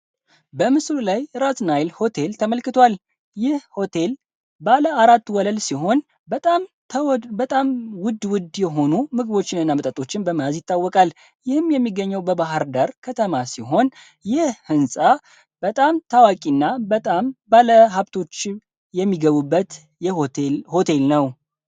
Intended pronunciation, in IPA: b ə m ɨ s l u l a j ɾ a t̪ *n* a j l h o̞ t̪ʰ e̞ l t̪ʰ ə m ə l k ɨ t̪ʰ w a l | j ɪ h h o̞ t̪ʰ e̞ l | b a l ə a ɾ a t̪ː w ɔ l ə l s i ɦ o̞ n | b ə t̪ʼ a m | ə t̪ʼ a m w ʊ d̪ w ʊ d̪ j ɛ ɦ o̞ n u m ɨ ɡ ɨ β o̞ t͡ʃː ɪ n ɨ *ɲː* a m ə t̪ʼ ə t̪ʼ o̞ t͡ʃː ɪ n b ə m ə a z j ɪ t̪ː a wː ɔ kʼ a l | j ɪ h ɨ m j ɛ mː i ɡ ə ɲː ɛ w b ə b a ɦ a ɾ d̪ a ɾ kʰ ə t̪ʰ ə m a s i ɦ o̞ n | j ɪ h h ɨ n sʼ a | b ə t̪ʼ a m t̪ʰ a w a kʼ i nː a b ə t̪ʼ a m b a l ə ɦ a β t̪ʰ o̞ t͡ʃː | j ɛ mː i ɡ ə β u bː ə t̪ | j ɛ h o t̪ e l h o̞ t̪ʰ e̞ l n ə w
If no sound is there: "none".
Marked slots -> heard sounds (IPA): n, nː

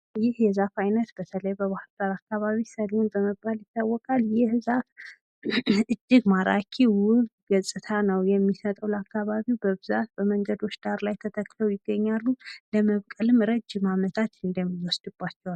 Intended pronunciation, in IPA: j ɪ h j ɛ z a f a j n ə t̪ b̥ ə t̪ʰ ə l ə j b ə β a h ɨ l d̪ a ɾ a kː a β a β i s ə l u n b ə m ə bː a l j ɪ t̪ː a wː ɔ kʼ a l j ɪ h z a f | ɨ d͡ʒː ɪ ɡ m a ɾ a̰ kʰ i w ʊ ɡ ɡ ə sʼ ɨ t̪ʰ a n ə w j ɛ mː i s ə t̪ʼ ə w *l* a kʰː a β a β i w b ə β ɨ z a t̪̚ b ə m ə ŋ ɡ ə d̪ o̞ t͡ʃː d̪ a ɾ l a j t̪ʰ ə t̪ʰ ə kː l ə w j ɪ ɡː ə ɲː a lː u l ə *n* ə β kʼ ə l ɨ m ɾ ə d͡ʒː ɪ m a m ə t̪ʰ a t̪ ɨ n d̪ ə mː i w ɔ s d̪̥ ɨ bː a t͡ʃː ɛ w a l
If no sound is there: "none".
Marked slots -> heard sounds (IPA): l, m

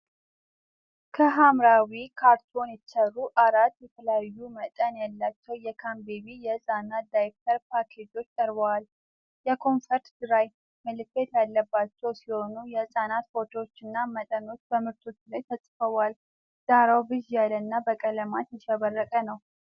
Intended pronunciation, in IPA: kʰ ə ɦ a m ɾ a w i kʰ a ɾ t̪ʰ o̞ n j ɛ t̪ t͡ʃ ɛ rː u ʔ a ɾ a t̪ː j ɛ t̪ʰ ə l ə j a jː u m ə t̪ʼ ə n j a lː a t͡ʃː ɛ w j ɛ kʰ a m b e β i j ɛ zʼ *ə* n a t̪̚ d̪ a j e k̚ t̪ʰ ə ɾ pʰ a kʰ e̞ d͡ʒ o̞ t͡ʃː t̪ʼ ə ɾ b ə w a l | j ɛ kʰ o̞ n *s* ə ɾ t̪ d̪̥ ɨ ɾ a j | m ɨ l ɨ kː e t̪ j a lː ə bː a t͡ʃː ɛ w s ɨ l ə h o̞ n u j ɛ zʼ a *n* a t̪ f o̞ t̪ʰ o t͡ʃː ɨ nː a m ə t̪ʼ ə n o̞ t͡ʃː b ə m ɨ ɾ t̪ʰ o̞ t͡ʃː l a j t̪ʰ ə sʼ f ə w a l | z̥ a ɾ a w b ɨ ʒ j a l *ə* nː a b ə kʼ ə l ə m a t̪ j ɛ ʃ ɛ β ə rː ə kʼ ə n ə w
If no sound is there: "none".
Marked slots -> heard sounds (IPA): a, f, n, ə

